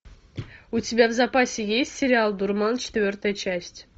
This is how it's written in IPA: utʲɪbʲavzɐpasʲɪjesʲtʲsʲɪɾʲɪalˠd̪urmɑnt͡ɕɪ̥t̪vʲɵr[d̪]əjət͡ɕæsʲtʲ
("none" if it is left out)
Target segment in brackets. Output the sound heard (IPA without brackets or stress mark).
t̪